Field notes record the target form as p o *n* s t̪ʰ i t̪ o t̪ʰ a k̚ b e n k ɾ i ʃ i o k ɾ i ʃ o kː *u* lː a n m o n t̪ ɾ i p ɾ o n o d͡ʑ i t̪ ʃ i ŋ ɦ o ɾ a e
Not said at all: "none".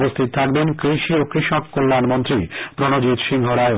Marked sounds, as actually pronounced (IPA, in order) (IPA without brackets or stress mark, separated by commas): none, o